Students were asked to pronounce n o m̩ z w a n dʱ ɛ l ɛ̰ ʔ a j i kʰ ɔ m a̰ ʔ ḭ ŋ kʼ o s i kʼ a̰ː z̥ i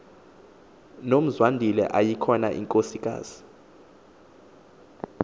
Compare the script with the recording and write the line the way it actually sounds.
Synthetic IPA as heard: n o m̩ z w a n dʱ i l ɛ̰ ʔ a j i kʰ ɔ n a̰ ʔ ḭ ŋ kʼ o s i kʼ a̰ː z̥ i